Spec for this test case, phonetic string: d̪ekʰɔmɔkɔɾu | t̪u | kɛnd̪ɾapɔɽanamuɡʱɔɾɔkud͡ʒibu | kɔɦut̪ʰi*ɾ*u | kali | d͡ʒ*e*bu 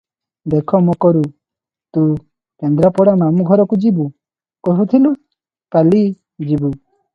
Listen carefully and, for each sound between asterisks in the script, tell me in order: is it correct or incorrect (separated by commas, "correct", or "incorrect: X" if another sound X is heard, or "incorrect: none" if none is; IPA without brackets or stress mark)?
incorrect: l, incorrect: i